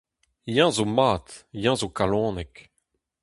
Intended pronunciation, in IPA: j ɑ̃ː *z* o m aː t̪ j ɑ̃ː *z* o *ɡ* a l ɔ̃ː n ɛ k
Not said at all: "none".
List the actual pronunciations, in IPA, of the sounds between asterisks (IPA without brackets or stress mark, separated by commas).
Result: z, z, k